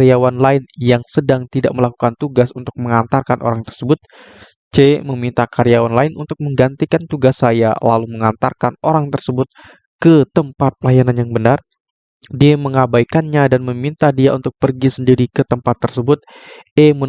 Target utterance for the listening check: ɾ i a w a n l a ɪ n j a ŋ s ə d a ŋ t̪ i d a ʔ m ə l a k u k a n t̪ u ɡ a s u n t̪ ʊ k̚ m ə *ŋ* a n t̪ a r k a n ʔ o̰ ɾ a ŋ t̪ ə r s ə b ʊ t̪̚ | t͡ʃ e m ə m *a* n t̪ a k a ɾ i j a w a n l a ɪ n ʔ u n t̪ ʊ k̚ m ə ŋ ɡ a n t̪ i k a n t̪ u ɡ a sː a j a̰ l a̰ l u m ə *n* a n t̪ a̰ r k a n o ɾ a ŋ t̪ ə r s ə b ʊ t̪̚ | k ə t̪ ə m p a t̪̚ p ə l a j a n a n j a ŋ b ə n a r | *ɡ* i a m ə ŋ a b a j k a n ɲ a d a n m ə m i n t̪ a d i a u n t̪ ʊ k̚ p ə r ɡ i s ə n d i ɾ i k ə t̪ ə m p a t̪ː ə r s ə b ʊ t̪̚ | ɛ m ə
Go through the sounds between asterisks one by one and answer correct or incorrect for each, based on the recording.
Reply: correct, incorrect: i, incorrect: ŋ, incorrect: d

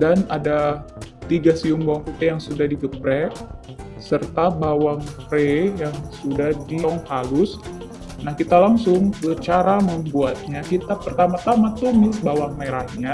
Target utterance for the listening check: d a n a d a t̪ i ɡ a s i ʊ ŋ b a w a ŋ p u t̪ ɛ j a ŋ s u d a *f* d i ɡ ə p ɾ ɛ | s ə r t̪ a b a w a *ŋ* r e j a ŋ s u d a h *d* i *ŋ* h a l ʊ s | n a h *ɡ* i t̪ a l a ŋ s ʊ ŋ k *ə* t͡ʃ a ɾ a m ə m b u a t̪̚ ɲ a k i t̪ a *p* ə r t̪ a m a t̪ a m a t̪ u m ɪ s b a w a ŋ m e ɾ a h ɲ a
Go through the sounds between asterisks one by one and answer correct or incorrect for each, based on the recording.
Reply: incorrect: h, correct, correct, correct, incorrect: k, correct, correct

